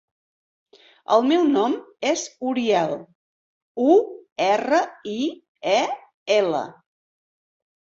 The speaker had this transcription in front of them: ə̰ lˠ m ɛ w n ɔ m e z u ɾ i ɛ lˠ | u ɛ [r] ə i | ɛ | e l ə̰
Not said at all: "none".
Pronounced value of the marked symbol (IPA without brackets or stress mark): r